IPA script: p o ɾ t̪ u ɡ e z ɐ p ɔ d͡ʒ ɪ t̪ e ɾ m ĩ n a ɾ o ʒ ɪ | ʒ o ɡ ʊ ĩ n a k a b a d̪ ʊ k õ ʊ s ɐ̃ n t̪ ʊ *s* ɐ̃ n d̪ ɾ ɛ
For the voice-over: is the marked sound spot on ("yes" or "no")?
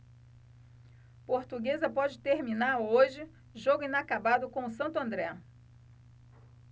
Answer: no